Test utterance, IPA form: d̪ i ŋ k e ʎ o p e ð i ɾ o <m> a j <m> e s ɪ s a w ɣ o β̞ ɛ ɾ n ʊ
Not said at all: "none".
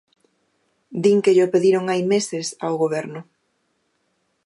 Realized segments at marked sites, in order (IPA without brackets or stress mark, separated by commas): ŋ, m